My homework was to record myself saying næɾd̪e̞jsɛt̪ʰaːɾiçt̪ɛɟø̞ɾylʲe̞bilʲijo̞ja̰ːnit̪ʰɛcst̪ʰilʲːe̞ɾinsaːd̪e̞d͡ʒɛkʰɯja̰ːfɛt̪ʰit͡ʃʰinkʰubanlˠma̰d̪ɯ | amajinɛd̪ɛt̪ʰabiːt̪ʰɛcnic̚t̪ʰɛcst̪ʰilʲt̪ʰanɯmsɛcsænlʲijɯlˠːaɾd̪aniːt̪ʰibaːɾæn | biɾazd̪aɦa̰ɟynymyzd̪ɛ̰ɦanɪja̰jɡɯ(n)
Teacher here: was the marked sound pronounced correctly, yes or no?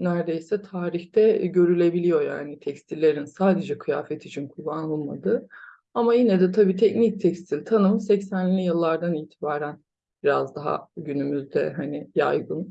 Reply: yes